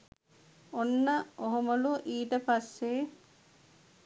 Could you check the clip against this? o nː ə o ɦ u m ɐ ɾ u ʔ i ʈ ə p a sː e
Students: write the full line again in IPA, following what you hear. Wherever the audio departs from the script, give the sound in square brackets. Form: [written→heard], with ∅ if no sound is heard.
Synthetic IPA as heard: o nː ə o ɦ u m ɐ [ɾ→l] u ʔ [i→iː] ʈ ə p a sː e